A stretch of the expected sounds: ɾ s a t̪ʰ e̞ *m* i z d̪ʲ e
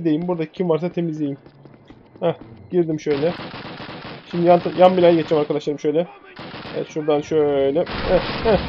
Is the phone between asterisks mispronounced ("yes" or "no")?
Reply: no